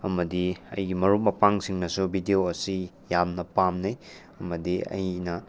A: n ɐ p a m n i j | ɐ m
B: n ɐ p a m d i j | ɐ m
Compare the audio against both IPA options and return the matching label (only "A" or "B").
A